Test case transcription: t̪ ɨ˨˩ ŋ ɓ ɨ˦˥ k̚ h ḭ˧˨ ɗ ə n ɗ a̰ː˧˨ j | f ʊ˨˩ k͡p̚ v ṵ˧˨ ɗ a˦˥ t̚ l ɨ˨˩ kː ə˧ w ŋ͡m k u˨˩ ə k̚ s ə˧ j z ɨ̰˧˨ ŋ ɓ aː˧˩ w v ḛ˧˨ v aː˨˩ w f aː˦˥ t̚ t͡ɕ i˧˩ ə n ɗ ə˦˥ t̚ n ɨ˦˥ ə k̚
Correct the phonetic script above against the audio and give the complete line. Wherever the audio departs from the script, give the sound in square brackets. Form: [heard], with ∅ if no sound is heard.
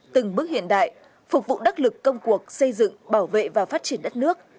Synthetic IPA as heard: t̪ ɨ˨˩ ŋ ɓ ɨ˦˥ k̚ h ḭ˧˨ [∅] ə n ɗ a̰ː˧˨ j | f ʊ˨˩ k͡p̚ v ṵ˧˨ ɗ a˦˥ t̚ l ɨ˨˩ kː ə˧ w ŋ͡m k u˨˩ ə k̚ s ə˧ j z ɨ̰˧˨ ŋ ɓ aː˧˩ w v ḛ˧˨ v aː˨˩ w f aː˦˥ t̚ t͡ɕ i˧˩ ə n ɗ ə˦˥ t̚ n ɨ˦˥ ə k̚

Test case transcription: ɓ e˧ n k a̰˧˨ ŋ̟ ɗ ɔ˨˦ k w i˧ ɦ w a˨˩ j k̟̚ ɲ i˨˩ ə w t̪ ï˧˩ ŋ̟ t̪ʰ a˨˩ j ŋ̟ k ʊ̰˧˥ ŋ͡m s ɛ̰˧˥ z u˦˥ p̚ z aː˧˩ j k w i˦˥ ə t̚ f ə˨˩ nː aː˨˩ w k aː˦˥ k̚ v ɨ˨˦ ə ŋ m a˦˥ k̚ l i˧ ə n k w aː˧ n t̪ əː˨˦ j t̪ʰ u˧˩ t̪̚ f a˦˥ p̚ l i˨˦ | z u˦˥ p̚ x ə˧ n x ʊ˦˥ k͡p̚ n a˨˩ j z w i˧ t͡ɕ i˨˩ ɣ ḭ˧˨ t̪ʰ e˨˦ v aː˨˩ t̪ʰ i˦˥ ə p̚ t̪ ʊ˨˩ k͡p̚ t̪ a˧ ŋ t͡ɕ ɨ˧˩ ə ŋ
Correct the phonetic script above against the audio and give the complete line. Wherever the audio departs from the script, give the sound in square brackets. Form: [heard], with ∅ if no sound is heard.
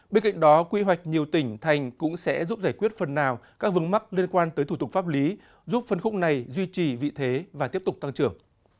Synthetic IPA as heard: ɓ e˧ n k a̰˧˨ ŋ̟ ɗ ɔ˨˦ k w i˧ ɦ w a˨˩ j k̟̚ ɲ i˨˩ ə w t̪ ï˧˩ ŋ̟ t̪ʰ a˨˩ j ŋ̟ k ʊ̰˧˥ ŋ͡m s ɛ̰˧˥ z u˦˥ p̚ z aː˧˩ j k w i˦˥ ə t̚ f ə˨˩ nː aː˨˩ w k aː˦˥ k̚ v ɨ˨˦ ə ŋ m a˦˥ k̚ l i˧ ə n k w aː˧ n t̪ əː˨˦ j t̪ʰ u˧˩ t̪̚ f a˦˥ p̚ l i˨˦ | z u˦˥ p̚ [f] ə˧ n x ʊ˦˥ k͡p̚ n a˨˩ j z w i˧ t͡ɕ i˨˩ [v] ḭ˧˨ t̪ʰ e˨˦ v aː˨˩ [t̪] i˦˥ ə p̚ t̪ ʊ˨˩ k͡p̚ t̪ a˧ ŋ t͡ɕ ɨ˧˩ ə ŋ

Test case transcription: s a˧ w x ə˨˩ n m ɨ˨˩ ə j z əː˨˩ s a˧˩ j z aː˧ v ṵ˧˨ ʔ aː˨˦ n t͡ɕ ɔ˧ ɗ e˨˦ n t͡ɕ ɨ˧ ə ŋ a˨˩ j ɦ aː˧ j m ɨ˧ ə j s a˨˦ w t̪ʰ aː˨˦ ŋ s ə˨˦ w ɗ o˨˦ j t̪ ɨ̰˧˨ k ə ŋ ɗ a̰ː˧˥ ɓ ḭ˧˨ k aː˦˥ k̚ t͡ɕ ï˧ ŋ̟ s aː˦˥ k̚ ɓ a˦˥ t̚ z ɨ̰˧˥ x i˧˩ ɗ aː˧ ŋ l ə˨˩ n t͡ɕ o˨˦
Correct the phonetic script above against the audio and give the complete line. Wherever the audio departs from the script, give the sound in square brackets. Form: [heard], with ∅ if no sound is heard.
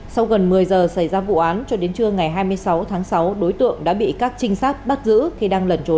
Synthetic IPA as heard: s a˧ w [ɣ] ə˨˩ n m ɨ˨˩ ə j z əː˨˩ s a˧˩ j z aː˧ v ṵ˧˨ ʔ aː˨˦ n t͡ɕ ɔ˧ ɗ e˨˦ n t͡ɕ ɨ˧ ə ŋ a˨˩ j ɦ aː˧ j m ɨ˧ ə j s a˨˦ w t̪ʰ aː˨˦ ŋ s [a˨˦] w ɗ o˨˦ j t̪ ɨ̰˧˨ [∅] ə ŋ ɗ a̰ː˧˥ ɓ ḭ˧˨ k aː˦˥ k̚ t͡ɕ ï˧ ŋ̟ s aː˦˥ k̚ ɓ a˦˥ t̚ z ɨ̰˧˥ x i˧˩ ɗ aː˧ ŋ l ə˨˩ n t͡ɕ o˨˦

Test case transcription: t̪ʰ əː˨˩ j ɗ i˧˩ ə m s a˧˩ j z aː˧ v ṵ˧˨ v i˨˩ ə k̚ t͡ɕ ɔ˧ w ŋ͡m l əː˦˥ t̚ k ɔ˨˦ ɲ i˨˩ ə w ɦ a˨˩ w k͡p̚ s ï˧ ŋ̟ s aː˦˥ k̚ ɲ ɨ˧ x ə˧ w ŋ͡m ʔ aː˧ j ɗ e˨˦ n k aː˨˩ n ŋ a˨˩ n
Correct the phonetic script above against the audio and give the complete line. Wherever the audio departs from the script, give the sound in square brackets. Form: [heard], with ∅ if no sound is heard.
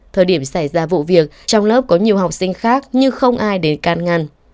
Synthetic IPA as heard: t̪ʰ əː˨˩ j ɗ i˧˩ ə m s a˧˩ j z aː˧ v ṵ˧˨ v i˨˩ ə k̚ t͡ɕ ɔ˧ w ŋ͡m l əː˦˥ [p̚] k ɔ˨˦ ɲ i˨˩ ə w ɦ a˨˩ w k͡p̚ s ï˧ ŋ̟ [x] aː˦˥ k̚ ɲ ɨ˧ x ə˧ w ŋ͡m ʔ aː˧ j ɗ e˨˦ n k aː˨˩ n ŋ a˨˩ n

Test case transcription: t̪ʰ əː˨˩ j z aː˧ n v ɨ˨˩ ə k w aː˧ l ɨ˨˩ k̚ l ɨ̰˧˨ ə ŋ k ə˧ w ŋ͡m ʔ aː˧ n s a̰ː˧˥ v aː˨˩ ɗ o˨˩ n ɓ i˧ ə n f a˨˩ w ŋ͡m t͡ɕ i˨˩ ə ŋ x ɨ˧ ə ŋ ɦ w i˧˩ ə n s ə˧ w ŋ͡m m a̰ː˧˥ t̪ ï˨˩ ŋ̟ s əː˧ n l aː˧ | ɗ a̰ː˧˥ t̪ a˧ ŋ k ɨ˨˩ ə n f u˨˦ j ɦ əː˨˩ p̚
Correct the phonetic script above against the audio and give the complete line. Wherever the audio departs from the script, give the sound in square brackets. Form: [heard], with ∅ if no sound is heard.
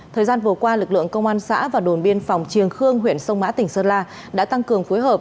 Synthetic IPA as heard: t̪ʰ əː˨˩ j z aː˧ n v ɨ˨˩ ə k w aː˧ l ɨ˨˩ k̚ l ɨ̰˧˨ ə ŋ k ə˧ w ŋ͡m ʔ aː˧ n s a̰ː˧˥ v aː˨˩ ɗ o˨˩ n ɓ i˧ ə n f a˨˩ w ŋ͡m t͡ɕ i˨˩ ə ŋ x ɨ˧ ə ŋ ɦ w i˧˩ ə n s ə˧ w ŋ͡m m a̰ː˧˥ t̪ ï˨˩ ŋ̟ s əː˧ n l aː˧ | ɗ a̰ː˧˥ t̪ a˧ ŋ k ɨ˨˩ ə [ŋ] f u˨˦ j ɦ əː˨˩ p̚

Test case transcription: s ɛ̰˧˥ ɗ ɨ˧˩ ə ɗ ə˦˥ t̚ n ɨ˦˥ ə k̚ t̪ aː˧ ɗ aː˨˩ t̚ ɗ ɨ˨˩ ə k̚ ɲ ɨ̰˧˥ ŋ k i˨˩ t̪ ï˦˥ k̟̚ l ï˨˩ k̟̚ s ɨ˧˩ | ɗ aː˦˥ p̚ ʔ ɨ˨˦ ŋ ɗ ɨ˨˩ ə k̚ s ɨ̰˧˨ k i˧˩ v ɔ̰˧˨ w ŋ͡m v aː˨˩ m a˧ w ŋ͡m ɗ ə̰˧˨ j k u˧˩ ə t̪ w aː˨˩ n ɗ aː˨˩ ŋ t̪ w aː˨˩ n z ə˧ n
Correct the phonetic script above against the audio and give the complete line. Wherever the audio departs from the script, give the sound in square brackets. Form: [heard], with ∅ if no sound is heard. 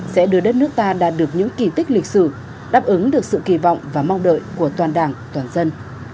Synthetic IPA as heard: s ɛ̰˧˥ ɗ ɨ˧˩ ə ɗ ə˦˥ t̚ n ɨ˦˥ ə k̚ t̪ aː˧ ɗ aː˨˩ t̚ ɗ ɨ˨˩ ə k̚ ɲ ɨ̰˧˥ ŋ k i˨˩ t̪ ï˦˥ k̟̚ l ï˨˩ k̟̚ s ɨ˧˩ | ɗ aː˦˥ p̚ ʔ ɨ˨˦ ŋ ɗ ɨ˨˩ ə k̚ s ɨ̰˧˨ k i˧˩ v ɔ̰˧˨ w ŋ͡m v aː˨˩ m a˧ w ŋ͡m ɗ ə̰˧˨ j k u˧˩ ə t̪ w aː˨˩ n ɗ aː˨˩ ŋ t̪ w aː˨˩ n z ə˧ n

